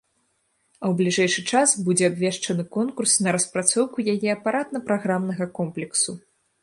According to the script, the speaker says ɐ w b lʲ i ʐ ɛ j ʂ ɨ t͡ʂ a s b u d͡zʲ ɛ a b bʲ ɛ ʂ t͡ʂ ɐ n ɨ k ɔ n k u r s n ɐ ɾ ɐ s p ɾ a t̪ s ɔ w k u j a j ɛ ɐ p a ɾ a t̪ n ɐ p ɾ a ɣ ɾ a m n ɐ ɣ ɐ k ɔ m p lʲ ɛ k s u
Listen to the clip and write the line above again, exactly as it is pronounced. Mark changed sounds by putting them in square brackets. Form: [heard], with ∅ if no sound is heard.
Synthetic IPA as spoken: ɐ w b lʲ i ʐ ɛ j ʂ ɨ t͡ʂ a s b u d͡zʲ ɛ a b [vʲ] ɛ ʂ t͡ʂ ɐ n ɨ k ɔ n k u r s n ɐ ɾ ɐ s p ɾ a t̪ s ɔ w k u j a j ɛ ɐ p a ɾ a t̪ n ɐ p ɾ a ɣ ɾ a m n ɐ ɣ ɐ k ɔ m p lʲ ɛ k s u